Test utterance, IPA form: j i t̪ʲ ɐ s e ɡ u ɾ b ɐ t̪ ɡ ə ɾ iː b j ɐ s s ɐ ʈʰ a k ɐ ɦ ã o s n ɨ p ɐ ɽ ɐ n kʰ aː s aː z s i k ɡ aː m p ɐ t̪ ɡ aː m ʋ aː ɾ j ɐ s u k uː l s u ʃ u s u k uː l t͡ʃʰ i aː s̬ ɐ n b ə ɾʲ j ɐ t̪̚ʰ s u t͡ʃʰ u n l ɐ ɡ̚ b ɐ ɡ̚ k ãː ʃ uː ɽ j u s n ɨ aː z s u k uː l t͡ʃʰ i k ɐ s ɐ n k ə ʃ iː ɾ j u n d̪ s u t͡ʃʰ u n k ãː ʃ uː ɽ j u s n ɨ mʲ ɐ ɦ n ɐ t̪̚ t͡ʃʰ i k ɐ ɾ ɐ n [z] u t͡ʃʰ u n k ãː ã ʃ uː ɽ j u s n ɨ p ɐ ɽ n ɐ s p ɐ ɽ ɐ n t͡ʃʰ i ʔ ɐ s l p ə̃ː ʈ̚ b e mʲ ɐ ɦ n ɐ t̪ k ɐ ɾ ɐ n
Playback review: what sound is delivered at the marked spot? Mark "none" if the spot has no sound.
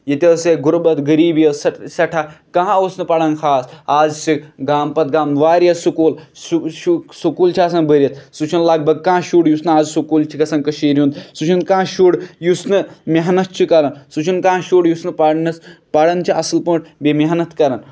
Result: s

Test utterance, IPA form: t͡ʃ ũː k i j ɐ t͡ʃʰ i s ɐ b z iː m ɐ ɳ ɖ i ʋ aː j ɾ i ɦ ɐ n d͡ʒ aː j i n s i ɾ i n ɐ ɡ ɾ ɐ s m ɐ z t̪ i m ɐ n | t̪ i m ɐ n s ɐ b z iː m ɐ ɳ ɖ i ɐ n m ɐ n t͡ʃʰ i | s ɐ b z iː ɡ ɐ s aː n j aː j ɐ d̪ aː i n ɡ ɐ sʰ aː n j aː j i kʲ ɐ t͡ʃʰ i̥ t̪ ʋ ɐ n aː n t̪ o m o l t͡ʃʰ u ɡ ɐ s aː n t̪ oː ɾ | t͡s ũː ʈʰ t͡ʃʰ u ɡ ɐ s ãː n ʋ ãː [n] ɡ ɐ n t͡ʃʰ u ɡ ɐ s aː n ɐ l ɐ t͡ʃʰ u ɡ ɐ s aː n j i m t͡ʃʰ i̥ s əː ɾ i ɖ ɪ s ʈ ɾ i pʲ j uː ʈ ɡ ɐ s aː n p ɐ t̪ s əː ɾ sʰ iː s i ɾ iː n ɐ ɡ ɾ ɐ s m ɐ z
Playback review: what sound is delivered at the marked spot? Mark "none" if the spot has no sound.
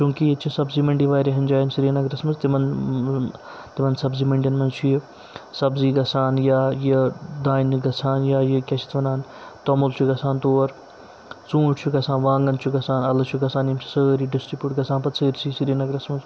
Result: ŋ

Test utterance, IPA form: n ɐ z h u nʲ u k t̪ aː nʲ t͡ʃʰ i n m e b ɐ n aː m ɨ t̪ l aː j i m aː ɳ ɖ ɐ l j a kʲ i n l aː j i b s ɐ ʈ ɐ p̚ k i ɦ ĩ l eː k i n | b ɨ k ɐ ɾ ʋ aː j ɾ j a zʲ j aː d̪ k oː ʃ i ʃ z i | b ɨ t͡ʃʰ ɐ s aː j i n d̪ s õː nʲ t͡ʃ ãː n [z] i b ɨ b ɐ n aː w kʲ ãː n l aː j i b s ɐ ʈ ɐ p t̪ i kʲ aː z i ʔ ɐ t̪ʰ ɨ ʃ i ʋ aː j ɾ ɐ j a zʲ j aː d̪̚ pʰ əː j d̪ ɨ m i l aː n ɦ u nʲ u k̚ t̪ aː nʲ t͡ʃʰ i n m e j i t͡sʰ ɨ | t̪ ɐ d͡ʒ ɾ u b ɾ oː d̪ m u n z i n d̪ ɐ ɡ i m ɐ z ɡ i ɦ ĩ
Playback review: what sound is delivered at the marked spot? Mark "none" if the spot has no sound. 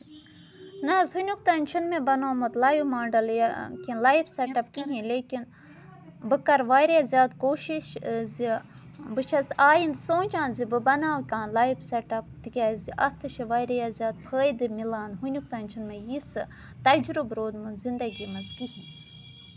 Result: z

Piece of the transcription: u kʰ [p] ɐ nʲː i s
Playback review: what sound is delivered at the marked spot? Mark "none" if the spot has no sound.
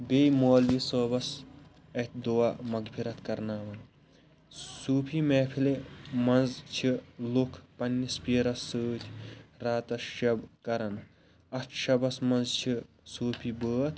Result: p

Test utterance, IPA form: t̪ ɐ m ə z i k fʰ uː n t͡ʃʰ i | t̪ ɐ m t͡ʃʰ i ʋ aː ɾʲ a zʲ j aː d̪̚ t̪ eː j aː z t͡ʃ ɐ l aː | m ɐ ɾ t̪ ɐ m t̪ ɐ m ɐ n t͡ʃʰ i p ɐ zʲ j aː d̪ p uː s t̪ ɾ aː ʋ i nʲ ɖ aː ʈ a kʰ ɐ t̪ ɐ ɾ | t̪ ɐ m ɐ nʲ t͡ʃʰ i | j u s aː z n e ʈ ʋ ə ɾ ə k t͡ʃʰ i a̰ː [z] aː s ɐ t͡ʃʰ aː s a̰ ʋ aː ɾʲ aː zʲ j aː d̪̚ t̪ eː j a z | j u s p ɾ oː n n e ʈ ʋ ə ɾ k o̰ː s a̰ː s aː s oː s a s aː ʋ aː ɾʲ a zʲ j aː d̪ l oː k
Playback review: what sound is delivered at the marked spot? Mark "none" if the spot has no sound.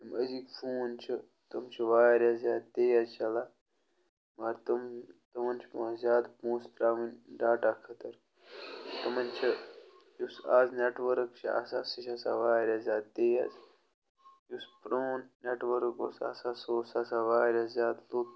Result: s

